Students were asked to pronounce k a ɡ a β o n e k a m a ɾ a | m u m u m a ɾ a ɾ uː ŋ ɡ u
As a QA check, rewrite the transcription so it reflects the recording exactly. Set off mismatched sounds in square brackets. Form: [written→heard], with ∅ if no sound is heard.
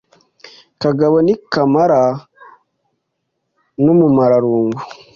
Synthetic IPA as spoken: k a ɡ a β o n [e→i] k a m a ɾ a | [m→n] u m u m a ɾ a ɾ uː ŋ ɡ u